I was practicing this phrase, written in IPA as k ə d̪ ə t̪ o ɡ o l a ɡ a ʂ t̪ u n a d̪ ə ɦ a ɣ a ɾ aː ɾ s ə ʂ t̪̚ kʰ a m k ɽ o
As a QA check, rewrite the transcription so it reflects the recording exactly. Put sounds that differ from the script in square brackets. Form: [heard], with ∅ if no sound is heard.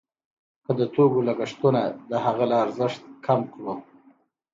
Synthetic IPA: k ə d̪ ə t̪ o ɡ o l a ɡ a ʂ t̪ u n a d̪ ə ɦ a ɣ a [l] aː ɾ [z] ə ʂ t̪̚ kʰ a m k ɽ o